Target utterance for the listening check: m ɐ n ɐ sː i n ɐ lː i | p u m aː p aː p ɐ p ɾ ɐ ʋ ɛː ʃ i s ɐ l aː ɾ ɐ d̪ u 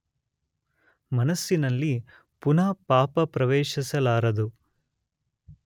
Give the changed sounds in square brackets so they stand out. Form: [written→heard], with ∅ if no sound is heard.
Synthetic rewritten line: m ɐ n ɐ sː i n ɐ lː i | p u [m→n] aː p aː p ɐ p ɾ ɐ ʋ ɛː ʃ i s ɐ l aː ɾ ɐ d̪ u